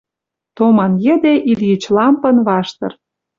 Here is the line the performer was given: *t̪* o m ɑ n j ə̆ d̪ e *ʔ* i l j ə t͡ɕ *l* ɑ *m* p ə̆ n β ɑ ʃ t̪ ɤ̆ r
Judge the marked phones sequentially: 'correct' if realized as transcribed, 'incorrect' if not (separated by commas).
correct, correct, correct, correct